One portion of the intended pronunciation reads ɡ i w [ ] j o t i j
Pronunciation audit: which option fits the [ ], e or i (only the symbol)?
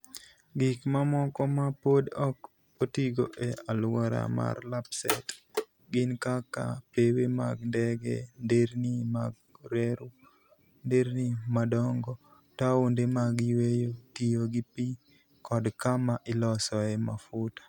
e